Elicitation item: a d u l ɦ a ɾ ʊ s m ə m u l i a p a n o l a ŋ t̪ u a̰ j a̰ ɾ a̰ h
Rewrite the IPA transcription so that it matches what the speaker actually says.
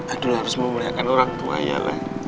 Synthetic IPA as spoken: a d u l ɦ a ɾ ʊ s m ə m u l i a k a n o ɾ a ŋ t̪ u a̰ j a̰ l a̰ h